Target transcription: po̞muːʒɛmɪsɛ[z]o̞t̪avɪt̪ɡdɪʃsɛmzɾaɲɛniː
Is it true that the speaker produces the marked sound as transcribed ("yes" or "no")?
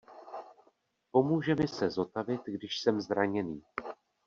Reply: yes